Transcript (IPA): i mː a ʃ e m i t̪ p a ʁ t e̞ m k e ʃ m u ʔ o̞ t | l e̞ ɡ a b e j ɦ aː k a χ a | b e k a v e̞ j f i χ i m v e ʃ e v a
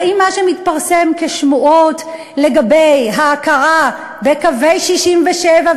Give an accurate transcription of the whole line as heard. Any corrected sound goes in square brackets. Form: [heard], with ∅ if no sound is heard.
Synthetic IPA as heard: i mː a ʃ e m i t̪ p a ʁ [s] e̞ m k e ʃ m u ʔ o̞ t | l e̞ ɡ a b e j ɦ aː k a [ʁ] a | b e k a v e̞ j [ʃ] i [ʃ] i m v e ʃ e v a